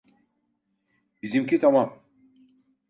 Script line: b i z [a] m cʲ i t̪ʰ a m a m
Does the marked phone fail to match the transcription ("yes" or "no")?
yes